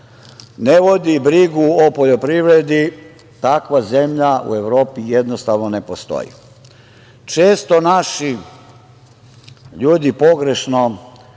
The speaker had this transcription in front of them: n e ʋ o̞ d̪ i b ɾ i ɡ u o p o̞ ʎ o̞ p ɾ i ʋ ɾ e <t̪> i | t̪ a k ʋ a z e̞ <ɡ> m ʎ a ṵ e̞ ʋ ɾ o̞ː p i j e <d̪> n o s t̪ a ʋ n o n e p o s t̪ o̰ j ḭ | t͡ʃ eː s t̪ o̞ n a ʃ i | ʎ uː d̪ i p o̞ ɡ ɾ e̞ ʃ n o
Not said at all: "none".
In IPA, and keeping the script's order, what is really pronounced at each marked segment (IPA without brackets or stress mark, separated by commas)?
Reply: d̪, none, d̪